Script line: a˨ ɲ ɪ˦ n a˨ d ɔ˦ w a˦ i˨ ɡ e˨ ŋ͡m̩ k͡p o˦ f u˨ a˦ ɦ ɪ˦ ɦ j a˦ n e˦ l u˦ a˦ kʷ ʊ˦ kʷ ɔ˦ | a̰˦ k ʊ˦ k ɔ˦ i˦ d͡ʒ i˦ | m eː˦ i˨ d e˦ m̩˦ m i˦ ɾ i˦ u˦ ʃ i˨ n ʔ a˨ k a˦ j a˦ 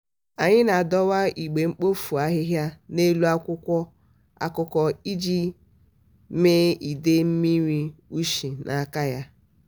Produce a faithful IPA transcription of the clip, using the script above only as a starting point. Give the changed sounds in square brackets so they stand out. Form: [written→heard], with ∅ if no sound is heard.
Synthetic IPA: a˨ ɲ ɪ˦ n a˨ d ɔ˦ w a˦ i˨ [ɡ→ɡ͡b] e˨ ŋ͡m̩ k͡p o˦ f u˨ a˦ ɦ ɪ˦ ɦ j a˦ n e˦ l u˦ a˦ kʷ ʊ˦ kʷ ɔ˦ | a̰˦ k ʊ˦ k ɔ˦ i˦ d͡ʒ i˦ | m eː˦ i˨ d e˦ m̩˦ m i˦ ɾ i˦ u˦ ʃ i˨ n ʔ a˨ k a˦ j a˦